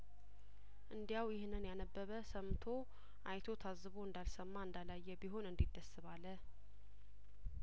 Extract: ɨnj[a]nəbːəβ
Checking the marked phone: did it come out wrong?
no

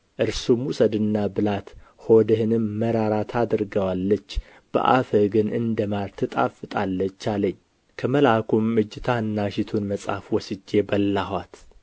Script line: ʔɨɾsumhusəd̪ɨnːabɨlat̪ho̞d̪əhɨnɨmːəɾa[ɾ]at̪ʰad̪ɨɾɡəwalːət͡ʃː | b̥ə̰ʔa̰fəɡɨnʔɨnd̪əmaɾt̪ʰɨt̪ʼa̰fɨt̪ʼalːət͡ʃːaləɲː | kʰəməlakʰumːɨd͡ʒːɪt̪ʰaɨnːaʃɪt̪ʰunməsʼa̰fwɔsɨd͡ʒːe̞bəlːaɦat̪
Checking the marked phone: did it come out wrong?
no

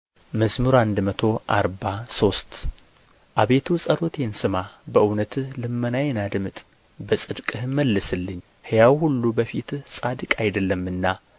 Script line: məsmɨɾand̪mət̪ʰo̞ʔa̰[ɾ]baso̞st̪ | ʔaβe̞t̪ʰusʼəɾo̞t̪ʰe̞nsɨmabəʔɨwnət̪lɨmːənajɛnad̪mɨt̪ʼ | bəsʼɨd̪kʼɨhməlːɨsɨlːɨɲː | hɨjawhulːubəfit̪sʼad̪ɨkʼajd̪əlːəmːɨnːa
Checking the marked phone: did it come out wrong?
no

